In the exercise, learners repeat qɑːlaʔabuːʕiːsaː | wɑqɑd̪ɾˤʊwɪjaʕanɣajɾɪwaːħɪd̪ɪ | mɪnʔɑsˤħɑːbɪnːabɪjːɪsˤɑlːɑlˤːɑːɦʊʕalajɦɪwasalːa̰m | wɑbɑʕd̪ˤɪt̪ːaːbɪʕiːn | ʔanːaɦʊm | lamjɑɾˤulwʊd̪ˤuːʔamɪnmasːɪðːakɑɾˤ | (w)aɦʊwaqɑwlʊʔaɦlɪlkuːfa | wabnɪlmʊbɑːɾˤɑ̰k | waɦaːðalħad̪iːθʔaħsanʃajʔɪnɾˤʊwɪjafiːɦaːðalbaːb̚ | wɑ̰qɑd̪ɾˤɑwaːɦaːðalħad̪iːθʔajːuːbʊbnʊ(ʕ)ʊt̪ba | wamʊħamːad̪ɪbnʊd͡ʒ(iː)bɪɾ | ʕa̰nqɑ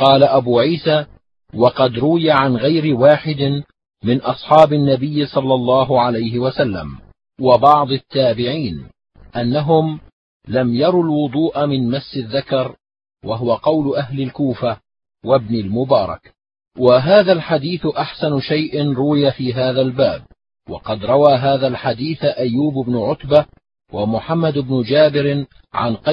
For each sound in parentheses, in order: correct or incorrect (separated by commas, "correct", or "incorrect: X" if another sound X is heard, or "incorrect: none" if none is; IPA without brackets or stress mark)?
correct, correct, incorrect: aː